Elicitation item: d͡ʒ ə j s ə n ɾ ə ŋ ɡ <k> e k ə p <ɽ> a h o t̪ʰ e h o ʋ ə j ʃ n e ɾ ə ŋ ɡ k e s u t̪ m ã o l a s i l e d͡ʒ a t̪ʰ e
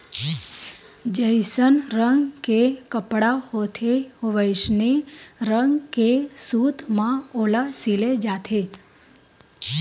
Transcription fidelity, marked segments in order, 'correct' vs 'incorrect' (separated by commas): correct, correct